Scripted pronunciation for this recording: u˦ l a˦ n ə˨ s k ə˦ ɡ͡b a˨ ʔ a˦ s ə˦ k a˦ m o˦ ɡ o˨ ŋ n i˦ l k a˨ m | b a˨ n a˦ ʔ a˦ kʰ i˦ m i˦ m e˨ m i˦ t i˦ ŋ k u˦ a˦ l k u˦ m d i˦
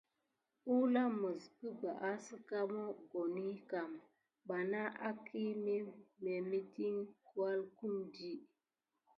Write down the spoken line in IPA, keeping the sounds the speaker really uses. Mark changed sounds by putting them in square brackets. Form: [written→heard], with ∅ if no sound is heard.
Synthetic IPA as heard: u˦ l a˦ [n→m] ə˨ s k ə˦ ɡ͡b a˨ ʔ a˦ s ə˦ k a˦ m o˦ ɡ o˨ [ŋ→∅] n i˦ [l→∅] k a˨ m | b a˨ n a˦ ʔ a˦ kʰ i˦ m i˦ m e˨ m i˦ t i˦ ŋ k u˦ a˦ l k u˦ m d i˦